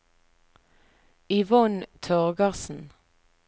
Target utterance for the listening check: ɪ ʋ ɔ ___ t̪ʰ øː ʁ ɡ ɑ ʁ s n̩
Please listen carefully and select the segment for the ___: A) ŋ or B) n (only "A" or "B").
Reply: B